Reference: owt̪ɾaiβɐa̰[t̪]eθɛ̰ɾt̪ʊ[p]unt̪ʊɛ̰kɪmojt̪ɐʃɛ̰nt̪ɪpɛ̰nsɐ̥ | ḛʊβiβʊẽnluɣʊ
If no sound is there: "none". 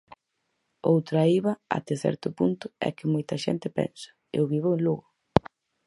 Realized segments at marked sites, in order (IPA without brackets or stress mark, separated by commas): t̪, p